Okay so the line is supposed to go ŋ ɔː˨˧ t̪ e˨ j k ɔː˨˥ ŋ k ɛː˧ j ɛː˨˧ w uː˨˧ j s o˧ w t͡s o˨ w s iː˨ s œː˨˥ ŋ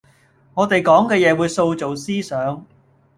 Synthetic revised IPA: ŋ ɔː˨˧ t̪ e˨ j k ɔː˨˥ ŋ k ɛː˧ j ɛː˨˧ w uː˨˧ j s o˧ w t͡s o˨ w s iː˥ s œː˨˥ ŋ